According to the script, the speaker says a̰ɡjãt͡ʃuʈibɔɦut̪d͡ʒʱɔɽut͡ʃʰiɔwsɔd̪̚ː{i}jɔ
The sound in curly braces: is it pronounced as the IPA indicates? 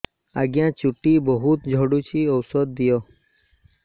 yes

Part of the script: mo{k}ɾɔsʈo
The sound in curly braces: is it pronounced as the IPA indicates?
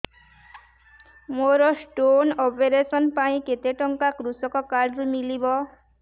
no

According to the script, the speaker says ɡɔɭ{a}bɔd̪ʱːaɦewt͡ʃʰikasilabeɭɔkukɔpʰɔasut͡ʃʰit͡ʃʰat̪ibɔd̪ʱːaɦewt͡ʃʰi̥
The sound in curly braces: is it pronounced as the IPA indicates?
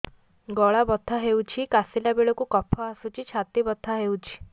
yes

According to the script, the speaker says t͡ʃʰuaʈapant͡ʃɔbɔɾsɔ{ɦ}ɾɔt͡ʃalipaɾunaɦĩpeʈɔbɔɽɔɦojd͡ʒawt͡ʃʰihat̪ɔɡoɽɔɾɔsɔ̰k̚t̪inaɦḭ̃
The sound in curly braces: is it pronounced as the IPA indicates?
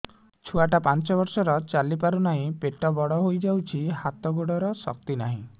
no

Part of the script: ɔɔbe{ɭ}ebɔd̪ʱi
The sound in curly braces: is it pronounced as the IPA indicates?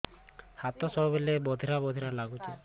no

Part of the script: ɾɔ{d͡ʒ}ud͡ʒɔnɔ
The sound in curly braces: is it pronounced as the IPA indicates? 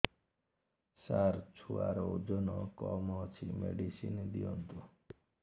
no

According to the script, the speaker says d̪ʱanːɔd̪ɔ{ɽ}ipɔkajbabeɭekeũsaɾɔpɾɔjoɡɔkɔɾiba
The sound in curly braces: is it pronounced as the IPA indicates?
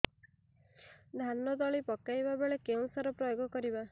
no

